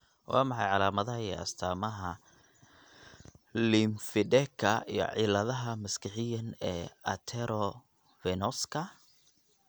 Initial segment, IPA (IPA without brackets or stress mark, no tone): w